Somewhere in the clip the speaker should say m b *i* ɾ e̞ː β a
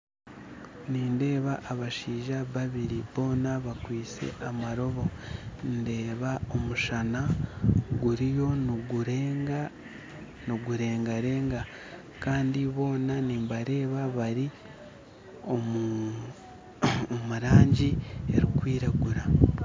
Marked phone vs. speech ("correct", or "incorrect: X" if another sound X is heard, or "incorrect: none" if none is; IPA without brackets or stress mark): incorrect: a